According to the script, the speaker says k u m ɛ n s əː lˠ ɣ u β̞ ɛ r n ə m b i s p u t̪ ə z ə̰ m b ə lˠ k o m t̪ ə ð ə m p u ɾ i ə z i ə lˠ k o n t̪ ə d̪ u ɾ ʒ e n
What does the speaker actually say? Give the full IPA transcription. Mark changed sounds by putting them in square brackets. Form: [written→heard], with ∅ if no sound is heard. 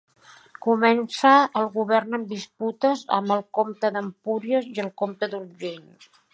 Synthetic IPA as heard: k u m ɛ n s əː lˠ ɣ u β̞ ɛ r n ə m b i s p u t̪ ə z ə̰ m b ə lˠ k o m t̪ ə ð ə m p u ɾ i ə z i ə lˠ k o [n→m] t̪ ə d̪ u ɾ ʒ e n